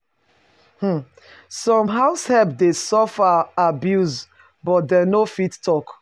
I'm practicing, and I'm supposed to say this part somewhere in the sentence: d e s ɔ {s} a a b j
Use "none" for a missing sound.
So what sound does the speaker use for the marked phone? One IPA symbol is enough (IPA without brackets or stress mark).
f